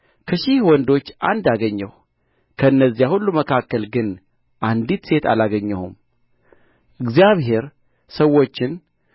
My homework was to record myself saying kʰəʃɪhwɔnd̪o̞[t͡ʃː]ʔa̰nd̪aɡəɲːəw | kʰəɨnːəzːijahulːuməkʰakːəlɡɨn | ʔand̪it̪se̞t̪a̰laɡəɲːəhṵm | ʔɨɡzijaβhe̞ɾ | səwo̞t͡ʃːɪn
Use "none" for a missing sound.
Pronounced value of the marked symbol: t͡ʃː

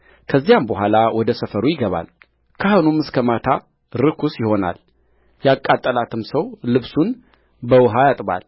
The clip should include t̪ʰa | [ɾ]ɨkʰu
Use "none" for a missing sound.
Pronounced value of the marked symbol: ɾ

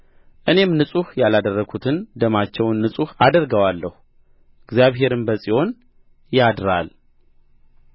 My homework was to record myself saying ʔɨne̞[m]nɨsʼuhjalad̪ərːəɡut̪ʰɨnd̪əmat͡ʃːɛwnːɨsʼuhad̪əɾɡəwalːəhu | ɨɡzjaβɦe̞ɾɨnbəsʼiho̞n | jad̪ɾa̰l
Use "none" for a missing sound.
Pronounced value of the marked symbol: m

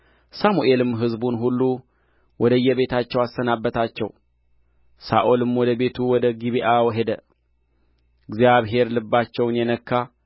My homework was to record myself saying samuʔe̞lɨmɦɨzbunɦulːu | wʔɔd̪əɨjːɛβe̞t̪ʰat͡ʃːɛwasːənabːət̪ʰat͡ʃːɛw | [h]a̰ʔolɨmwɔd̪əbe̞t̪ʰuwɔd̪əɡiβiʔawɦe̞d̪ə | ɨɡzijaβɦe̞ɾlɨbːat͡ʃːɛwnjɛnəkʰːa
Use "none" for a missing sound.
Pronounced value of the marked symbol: s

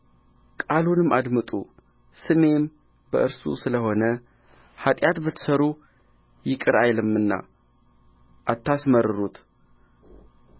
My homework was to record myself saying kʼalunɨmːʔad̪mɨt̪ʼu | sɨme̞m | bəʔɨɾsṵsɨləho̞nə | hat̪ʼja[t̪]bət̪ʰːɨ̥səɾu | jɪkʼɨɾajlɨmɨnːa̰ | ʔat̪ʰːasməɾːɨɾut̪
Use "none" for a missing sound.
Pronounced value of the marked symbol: t̪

